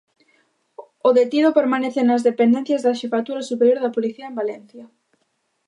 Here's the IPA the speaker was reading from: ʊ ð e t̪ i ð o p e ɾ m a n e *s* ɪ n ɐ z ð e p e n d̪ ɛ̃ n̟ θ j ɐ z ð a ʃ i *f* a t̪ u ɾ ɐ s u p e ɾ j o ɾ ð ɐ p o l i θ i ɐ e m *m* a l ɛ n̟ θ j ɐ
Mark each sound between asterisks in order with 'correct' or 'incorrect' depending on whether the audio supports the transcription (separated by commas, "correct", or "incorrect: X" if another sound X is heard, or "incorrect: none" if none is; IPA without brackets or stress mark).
incorrect: θ, correct, incorrect: b